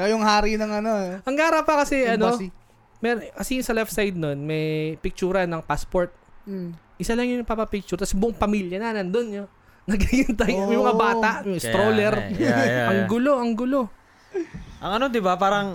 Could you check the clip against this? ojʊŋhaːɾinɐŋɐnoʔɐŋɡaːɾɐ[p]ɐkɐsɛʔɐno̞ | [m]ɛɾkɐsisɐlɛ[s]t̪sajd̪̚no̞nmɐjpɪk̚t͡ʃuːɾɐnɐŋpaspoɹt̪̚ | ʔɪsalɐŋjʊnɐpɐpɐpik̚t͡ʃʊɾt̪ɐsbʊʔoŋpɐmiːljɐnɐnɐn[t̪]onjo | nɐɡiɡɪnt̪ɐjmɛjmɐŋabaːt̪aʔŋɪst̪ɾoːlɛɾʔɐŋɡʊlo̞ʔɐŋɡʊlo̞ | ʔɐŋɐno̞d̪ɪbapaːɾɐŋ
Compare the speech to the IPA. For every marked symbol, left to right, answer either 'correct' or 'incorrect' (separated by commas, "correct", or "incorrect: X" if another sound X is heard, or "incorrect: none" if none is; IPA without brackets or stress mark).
correct, correct, incorrect: f, incorrect: d̪